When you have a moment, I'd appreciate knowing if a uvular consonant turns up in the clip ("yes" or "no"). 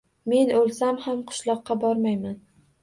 yes